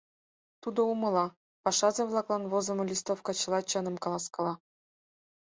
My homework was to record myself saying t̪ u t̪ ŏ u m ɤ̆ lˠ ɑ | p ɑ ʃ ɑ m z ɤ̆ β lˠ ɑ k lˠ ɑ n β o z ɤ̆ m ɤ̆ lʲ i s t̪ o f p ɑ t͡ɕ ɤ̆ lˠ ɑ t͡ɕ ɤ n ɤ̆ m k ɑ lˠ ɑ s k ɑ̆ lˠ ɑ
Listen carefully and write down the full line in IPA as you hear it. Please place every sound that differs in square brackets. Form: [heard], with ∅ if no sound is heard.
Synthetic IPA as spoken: t̪ u [d̪] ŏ u m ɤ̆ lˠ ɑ | p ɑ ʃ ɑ [∅] z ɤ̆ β lˠ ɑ k lˠ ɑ n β o z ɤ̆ m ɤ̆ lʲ i s t̪ o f [k] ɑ t͡ɕ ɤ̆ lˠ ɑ t͡ɕ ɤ n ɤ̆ m k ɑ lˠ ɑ s k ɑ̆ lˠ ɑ